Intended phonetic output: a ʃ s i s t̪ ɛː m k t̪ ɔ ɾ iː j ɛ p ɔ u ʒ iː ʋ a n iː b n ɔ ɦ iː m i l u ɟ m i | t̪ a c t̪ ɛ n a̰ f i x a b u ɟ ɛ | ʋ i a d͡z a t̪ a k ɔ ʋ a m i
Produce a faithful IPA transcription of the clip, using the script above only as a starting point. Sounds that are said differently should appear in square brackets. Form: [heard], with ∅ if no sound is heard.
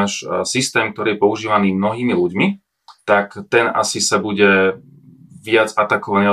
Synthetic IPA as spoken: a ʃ s i s t̪ ɛː m k t̪ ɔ ɾ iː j ɛ p ɔ u ʒ iː ʋ a n iː [m] n ɔ ɦ iː m i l u ɟ m i | t̪ a [k] t̪ ɛ n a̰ [s] i [s] a b u ɟ ɛ | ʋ [ɪ] a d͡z a t̪ a k ɔ ʋ a [n] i